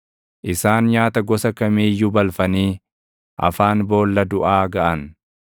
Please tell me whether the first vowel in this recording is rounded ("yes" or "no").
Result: no